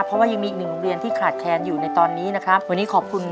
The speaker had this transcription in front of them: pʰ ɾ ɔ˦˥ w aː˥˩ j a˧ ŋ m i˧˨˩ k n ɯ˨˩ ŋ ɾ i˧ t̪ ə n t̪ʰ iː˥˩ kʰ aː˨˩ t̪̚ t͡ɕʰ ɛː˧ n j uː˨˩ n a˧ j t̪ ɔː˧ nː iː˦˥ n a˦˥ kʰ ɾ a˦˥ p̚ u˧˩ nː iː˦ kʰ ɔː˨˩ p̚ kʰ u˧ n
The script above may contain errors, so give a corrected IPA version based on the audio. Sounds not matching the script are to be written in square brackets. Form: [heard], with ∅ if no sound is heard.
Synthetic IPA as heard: pʰ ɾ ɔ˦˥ w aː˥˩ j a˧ ŋ m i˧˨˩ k n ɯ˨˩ ŋ ɾ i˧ [∅] ə n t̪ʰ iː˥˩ kʰ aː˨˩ t̪̚ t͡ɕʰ ɛː˧ n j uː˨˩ n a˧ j t̪ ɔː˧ nː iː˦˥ n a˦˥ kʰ ɾ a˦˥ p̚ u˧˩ [n] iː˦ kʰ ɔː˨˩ p̚ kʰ u˧ n